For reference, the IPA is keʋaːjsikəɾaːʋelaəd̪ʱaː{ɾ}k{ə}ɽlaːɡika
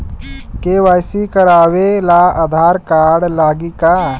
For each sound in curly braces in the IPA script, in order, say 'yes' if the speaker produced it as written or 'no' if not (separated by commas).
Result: yes, no